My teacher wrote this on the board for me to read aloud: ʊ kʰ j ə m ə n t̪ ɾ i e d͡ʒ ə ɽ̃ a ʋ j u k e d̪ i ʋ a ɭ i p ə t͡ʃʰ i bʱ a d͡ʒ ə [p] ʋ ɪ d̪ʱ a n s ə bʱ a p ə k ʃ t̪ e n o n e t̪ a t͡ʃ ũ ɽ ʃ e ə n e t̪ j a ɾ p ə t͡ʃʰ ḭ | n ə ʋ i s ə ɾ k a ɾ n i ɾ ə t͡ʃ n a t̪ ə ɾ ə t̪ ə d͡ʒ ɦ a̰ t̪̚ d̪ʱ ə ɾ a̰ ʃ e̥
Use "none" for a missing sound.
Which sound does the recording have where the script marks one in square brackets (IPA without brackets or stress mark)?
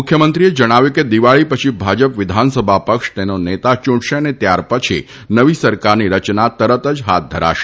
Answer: p